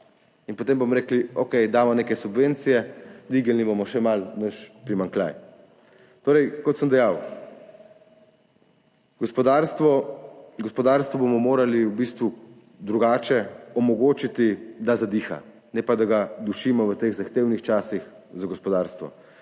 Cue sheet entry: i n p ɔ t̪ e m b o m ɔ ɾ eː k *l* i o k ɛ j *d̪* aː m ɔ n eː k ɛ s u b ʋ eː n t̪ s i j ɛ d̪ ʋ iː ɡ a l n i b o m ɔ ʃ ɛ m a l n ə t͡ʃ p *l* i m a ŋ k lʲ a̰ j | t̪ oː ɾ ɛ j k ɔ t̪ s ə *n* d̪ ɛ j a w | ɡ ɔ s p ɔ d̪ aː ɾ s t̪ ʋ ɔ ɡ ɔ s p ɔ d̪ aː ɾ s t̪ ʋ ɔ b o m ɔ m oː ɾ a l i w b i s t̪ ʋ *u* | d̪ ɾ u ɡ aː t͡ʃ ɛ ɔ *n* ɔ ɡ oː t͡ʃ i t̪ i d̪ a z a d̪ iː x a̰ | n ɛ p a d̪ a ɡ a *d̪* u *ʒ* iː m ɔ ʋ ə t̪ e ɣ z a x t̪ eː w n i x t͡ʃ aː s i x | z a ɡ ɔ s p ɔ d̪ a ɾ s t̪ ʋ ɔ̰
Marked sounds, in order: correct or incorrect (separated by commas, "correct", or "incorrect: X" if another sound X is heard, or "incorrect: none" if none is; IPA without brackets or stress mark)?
correct, correct, incorrect: ɾ, incorrect: m, correct, incorrect: m, correct, incorrect: ʃ